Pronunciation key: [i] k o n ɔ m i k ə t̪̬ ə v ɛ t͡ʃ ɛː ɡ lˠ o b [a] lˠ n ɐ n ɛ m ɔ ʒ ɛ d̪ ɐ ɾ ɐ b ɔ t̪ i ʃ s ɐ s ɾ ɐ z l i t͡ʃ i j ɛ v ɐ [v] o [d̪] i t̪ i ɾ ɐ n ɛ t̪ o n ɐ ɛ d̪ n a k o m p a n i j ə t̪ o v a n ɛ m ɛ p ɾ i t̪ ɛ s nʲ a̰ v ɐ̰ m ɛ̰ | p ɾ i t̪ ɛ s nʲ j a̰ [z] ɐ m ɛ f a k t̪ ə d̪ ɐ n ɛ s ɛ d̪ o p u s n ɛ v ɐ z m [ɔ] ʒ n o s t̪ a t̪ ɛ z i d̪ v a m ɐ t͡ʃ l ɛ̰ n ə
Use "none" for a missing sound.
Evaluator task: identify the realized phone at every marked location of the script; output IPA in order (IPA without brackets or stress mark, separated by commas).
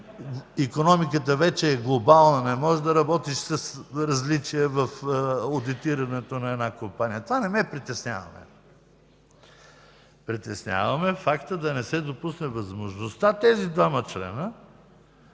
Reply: i, a, f, d̪, v, o